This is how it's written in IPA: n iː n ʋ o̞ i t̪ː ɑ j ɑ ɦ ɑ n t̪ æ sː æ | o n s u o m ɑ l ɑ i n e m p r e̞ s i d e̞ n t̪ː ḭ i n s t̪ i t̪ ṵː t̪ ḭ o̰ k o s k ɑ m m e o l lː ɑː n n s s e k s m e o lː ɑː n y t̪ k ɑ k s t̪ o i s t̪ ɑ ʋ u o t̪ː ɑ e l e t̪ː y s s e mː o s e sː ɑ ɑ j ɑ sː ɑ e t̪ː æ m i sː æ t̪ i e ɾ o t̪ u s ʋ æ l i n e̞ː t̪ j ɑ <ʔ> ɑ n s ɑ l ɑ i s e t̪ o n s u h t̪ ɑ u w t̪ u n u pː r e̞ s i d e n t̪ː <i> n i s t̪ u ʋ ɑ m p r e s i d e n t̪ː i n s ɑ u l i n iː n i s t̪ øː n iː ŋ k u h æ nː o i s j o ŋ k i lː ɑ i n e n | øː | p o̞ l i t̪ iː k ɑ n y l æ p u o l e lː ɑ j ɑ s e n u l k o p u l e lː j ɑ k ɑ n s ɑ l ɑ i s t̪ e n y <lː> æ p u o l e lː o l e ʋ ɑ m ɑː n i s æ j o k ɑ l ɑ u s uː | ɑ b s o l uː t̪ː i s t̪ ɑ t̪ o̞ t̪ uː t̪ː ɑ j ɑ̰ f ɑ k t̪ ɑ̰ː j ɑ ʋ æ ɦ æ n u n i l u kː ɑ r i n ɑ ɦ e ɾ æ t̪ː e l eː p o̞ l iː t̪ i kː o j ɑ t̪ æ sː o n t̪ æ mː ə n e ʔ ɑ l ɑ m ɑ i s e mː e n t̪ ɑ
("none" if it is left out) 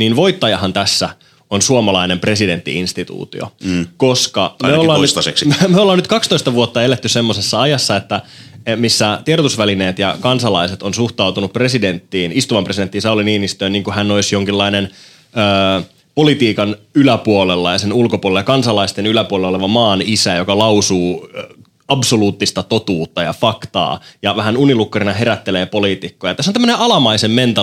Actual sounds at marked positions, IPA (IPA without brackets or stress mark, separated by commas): k, iː, l